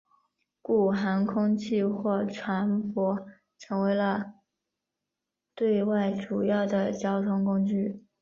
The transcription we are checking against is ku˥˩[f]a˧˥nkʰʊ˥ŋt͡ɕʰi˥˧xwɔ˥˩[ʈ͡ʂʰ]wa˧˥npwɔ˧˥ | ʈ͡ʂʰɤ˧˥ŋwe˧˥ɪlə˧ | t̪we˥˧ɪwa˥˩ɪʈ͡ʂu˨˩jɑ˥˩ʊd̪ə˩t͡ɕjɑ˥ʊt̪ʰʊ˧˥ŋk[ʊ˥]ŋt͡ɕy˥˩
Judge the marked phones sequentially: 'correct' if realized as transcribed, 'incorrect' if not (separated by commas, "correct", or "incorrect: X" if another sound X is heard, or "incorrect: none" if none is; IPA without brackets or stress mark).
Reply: incorrect: x, correct, correct